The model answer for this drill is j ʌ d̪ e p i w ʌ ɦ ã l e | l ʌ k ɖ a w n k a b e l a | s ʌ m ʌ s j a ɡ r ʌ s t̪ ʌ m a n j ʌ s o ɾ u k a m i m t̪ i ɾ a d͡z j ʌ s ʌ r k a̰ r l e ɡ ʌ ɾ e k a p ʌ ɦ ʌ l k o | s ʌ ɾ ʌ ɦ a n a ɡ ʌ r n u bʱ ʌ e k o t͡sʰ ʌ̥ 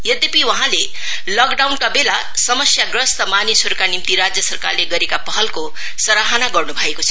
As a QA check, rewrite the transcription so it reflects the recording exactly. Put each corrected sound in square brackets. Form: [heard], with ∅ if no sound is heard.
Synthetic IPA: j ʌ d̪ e p i w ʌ ɦ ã l e | l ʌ k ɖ a w n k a b e l a | s ʌ m ʌ s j a ɡ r ʌ s t̪ ʌ m a n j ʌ s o ɾ u k a [n] i m t̪ i ɾ a d͡z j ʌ s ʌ r k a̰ r l e ɡ ʌ ɾ e k a p ʌ ɦ ʌ l k o | s ʌ ɾ [a] ɦ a n a ɡ ʌ r n u bʱ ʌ e k o t͡sʰ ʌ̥